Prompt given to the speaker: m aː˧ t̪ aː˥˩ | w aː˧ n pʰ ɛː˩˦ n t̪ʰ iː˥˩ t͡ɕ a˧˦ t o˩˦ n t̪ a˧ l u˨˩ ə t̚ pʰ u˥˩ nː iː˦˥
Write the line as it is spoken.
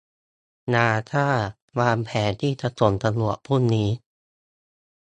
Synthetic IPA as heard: n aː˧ t̪ʰ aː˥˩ | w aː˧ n pʰ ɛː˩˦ n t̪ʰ iː˥˩ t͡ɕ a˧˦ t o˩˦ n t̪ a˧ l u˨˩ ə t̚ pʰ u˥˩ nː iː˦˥